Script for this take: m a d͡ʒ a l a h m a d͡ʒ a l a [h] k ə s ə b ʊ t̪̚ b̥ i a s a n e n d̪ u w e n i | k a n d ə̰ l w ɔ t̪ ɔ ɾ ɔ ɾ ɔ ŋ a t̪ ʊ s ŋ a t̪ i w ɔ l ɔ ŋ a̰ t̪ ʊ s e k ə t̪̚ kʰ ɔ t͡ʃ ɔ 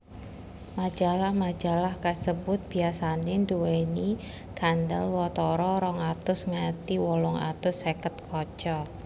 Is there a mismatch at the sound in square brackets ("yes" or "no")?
no